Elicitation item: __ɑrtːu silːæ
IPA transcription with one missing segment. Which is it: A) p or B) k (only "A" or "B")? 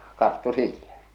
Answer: B